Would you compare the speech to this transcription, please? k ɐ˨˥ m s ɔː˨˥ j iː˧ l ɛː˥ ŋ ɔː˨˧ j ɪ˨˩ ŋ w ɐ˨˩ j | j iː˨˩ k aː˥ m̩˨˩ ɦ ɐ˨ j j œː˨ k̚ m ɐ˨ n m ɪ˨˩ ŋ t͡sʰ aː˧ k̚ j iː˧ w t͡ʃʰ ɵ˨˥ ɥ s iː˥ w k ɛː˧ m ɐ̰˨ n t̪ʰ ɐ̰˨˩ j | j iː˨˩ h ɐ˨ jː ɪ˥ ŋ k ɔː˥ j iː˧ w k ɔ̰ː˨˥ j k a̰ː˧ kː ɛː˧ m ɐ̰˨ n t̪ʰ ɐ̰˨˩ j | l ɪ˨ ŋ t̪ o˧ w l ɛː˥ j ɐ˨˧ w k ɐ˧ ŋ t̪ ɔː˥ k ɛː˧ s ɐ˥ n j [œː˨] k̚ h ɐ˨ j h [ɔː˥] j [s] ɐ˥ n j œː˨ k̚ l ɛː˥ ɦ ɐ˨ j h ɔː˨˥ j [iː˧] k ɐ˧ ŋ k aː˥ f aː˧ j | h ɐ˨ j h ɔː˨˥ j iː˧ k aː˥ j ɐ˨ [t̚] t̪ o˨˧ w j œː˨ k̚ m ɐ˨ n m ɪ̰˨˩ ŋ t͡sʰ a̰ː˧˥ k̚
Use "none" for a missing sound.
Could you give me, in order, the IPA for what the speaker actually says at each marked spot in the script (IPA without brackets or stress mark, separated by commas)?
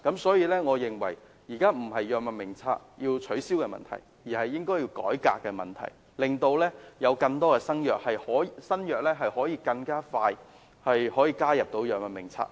œː˨, ɔː˨˥, s, iː˧, p̚